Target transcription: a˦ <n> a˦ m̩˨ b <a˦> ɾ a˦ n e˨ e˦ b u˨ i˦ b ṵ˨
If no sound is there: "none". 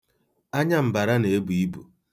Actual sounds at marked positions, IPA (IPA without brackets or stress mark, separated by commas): ɲ, a˨